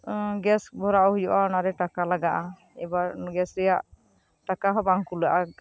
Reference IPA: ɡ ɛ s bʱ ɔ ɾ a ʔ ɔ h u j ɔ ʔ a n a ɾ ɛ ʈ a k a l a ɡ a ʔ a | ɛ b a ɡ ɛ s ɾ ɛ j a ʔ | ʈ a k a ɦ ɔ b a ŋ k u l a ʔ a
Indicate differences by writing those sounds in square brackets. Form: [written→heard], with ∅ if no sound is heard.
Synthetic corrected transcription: ɡ ɛ s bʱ ɔ ɾ a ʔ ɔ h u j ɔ ʔ a n a ɾ ɛ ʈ a k a l a ɡ a ʔ a | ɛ b a ɡ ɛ s ɾ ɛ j a ʔ | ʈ a k a ɦ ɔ b a ŋ k u l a ʔ a